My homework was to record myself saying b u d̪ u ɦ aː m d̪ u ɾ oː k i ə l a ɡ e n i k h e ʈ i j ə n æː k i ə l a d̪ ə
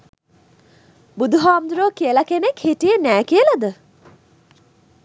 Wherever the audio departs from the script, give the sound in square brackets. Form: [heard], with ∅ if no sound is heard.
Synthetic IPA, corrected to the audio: b u d̪ u ɦ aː m d̪ u ɾ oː k i ə l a [k] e n [e] k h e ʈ i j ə n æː k i ə l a d̪ ə